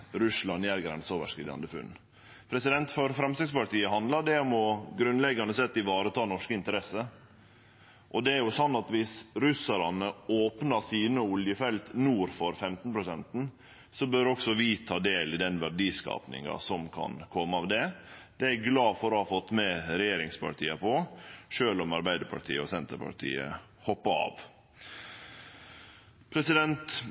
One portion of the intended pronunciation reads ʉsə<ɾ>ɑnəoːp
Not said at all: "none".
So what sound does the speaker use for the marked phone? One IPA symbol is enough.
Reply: ɾ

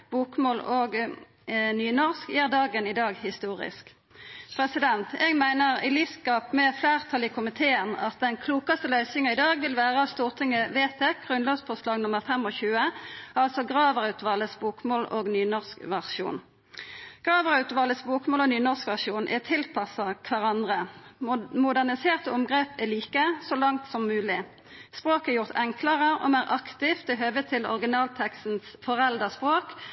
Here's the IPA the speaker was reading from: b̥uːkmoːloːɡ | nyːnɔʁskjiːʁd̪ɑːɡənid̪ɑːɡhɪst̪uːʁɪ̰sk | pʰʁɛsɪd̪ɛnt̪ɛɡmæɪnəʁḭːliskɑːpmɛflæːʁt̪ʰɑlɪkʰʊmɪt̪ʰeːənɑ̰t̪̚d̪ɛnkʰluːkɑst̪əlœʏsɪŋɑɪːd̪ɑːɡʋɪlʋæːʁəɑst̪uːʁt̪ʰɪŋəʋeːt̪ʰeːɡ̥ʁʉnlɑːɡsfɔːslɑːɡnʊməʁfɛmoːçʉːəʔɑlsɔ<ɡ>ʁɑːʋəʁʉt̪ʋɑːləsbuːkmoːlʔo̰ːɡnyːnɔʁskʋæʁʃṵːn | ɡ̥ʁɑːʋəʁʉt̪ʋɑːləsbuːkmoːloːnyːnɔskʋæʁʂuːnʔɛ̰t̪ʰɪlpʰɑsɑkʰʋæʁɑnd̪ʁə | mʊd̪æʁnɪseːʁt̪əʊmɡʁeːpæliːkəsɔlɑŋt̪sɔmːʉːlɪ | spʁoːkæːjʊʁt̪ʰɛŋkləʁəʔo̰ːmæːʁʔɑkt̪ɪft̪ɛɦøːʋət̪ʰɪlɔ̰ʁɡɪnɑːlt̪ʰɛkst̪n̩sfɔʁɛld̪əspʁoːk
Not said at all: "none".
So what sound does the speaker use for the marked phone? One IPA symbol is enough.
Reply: ɡ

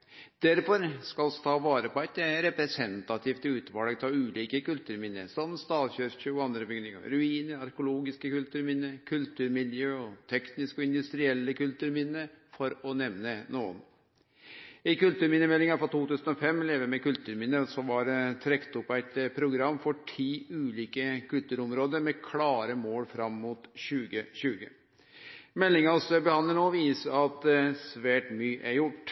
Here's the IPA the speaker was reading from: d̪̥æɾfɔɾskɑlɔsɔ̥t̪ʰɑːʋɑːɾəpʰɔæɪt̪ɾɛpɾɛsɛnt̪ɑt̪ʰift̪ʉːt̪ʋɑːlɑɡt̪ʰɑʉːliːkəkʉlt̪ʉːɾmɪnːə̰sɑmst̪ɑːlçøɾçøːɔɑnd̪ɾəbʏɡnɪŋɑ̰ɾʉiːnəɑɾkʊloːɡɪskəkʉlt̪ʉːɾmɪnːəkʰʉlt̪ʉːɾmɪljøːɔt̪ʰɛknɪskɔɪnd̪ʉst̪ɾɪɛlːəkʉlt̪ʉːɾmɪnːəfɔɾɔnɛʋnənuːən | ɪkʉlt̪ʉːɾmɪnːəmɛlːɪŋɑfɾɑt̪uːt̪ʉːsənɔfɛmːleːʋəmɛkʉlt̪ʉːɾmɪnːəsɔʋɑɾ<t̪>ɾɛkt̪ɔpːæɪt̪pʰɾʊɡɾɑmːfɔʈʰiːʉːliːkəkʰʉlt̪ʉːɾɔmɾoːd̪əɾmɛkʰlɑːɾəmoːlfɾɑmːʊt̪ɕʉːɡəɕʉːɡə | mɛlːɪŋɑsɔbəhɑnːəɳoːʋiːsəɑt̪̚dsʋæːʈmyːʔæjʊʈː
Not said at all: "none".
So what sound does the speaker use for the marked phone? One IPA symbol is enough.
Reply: t̪ʰ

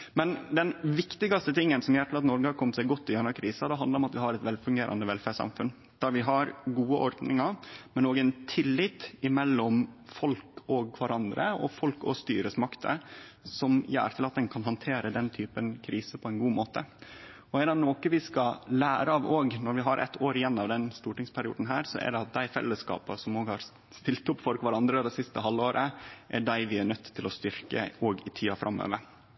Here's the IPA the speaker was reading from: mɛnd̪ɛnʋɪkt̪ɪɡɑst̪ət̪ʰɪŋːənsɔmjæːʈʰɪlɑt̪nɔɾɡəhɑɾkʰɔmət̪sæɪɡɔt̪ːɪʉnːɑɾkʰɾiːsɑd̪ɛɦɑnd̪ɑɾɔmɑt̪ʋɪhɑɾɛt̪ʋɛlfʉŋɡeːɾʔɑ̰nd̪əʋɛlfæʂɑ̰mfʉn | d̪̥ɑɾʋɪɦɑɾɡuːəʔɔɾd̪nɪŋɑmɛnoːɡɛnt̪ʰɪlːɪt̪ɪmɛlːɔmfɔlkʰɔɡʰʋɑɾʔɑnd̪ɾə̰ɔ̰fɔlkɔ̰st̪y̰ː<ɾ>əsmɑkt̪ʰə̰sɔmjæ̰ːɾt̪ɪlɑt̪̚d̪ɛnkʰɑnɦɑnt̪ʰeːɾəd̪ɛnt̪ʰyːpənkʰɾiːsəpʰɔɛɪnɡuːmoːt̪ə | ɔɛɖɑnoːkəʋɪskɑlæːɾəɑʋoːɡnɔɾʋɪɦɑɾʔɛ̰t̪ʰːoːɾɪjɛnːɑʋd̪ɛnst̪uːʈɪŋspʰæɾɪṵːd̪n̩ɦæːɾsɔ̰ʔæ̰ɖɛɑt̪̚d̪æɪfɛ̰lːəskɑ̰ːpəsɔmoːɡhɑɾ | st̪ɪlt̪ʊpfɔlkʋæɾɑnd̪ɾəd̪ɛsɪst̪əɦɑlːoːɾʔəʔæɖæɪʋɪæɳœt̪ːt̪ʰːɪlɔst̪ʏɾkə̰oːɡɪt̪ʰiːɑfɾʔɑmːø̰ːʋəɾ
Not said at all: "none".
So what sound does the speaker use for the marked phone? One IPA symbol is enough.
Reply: ɾ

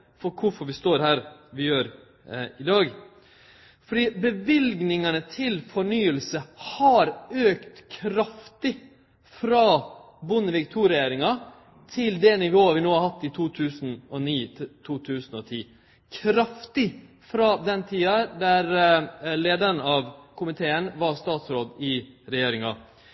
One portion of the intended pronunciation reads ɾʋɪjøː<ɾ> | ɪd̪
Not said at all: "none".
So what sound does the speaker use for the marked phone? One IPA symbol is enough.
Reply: ɾ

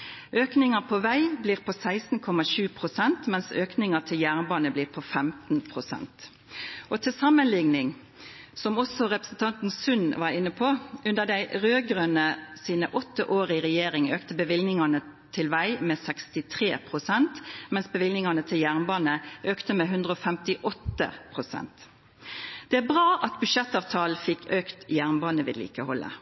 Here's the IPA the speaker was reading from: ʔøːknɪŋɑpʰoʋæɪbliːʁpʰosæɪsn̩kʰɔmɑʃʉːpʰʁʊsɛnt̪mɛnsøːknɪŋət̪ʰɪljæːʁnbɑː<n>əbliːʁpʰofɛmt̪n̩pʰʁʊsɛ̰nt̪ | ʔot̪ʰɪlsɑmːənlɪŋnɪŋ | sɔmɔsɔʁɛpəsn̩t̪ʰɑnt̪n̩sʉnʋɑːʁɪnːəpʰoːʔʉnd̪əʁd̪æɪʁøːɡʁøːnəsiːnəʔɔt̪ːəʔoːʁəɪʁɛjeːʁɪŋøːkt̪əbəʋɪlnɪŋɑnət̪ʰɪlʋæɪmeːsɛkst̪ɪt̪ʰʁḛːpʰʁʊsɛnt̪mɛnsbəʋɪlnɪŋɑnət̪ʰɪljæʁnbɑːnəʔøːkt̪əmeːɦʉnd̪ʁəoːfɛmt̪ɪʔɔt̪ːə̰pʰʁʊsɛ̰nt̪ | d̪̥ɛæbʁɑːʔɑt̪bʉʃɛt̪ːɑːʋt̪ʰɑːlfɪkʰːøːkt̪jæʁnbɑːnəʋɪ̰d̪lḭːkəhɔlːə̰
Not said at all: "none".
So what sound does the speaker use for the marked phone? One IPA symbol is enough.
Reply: n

